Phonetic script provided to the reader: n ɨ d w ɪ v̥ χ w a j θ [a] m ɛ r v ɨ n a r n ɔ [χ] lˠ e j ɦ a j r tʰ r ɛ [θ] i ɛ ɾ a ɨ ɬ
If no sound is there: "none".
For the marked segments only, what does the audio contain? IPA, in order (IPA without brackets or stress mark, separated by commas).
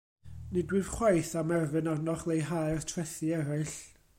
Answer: a, χ, θ